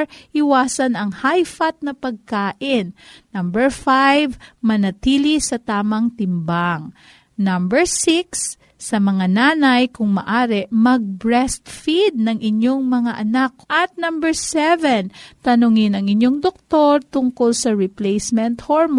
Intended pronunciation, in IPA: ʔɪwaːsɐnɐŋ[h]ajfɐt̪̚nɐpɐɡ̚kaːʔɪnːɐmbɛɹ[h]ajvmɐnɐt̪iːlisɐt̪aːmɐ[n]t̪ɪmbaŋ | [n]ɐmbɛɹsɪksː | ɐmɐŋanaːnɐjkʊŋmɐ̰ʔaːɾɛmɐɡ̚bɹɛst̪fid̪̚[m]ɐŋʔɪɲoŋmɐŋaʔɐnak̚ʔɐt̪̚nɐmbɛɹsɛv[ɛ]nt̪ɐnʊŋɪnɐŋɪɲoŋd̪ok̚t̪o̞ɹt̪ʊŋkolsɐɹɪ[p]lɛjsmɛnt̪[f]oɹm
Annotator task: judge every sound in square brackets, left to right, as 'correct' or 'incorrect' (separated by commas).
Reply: correct, incorrect, incorrect, correct, incorrect, correct, correct, incorrect